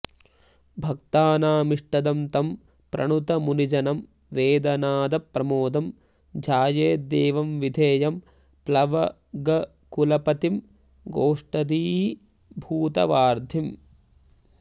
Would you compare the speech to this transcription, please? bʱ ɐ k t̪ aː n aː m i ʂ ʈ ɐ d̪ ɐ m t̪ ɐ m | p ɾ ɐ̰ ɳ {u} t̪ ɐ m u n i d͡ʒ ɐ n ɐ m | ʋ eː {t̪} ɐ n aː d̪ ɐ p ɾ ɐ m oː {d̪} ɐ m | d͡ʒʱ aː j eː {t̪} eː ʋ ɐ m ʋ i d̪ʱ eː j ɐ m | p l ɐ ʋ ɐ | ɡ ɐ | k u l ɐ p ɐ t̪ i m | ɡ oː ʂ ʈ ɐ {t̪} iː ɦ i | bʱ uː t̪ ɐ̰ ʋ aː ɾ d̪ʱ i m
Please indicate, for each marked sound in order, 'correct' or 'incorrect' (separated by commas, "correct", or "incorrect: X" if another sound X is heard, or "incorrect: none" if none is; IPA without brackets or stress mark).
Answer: correct, incorrect: d̪, correct, incorrect: d̪, incorrect: d̪